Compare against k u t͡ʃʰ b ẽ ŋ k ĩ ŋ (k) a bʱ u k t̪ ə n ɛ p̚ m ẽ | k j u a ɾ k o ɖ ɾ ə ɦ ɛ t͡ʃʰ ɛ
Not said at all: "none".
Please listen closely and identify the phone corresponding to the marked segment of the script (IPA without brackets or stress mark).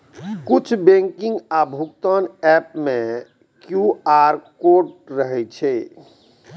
ɡ